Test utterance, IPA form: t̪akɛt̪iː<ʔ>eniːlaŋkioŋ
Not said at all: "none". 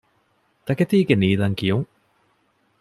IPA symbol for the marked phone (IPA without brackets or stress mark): k